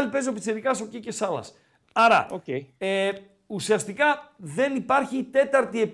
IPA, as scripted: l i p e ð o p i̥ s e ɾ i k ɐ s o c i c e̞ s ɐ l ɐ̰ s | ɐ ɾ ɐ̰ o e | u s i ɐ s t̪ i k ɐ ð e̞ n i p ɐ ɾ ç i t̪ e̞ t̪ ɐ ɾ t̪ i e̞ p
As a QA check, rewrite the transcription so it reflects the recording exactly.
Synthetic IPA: l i p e z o p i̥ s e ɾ i k ɐ s o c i c e̞ s ɐ l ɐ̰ s | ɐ ɾ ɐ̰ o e | u s i ɐ s t̪ i k ɐ ð e̞ n i p ɐ ɾ ç i t̪ e̞ t̪ ɐ ɾ t̪ i e̞ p